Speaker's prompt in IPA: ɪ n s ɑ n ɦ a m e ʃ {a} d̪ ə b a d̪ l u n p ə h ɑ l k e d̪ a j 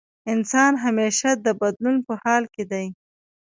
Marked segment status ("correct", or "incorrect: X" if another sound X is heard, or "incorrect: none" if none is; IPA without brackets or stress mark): correct